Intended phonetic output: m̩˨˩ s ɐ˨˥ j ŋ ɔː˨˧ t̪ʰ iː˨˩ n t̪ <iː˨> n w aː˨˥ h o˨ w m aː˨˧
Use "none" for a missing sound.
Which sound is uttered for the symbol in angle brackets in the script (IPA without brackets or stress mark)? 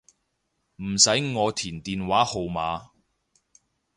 iː˨